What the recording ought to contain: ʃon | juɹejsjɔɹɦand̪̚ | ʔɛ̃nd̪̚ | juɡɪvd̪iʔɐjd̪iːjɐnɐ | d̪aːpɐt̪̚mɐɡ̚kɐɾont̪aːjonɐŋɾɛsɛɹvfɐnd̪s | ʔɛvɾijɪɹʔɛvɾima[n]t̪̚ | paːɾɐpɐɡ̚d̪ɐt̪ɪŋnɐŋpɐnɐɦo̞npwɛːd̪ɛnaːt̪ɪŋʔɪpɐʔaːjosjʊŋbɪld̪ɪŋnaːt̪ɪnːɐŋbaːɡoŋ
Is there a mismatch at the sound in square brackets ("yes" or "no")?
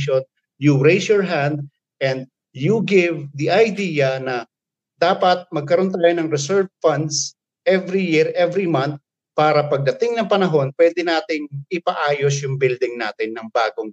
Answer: no